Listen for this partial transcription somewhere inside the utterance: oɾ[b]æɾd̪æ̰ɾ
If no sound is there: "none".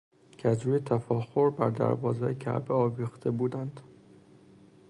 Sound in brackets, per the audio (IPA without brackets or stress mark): b